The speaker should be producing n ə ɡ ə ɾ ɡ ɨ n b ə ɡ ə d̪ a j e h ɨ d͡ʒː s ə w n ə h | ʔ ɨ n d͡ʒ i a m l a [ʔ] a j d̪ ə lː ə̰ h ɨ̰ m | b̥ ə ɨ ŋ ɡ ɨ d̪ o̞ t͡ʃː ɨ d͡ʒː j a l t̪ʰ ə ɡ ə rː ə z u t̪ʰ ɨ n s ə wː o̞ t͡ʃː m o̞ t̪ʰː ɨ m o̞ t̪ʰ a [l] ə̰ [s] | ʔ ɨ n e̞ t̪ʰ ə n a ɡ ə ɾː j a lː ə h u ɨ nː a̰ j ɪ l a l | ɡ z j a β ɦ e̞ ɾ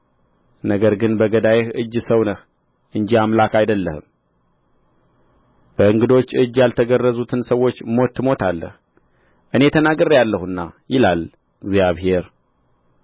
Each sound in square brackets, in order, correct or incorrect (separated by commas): incorrect, incorrect, incorrect